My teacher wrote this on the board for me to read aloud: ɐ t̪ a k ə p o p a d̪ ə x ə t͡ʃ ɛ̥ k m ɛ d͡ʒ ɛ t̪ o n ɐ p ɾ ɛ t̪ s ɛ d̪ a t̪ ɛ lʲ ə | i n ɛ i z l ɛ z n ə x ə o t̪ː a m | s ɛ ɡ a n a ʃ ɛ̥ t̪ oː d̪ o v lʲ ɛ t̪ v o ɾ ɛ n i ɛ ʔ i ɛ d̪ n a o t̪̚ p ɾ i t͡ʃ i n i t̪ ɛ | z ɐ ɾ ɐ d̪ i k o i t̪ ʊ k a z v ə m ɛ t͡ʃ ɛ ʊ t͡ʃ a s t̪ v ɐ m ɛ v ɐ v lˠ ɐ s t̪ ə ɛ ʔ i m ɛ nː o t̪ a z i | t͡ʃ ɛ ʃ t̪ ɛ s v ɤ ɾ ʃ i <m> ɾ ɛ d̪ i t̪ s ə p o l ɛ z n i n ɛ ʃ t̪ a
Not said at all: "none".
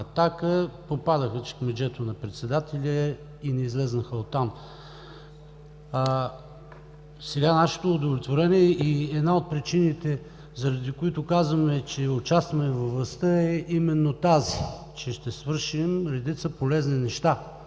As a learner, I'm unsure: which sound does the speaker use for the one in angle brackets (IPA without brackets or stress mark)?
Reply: m